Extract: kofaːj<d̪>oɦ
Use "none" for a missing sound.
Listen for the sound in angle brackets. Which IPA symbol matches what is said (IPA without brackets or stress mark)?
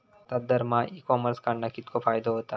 d̪